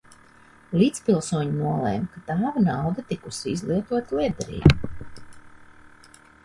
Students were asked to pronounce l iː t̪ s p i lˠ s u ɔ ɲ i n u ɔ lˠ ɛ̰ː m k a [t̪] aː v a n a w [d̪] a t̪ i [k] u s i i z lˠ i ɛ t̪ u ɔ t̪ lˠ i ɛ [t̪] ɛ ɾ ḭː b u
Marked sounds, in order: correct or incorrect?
correct, correct, correct, incorrect: d̪

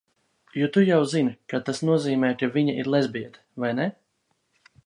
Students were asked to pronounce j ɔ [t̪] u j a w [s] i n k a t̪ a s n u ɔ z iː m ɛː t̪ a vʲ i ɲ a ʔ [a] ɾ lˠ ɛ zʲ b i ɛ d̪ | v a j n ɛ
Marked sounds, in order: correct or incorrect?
correct, incorrect: z, incorrect: i

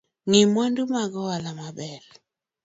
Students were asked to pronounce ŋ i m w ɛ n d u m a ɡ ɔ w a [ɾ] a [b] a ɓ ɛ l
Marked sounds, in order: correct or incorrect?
incorrect: l, incorrect: m

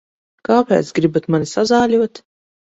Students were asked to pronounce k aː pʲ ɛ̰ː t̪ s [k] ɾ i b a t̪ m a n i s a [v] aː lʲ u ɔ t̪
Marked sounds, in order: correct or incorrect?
incorrect: ɡ, incorrect: z

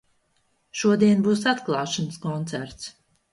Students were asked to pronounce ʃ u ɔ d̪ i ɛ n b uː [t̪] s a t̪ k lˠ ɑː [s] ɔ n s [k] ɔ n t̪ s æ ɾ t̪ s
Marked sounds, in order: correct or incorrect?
incorrect: none, incorrect: ʃ, correct

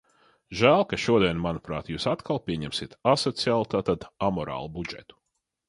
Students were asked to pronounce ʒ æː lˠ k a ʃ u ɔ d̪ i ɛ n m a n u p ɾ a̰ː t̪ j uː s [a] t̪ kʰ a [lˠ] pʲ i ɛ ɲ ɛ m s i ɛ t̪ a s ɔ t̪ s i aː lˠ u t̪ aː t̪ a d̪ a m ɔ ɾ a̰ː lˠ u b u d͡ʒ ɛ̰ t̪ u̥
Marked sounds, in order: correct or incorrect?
correct, correct

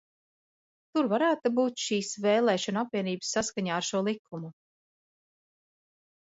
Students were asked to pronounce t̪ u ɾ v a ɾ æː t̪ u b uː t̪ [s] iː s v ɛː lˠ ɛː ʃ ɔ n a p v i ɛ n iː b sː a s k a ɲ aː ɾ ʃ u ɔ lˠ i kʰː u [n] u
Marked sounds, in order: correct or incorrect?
incorrect: ʃ, incorrect: m

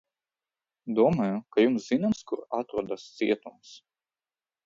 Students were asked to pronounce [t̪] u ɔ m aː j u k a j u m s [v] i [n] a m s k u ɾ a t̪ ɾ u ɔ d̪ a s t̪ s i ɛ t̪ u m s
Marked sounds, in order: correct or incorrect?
incorrect: d̪, incorrect: z, correct

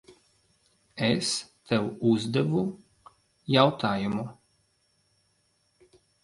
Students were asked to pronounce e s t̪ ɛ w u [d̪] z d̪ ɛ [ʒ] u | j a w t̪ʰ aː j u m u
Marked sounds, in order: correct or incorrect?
incorrect: none, incorrect: v

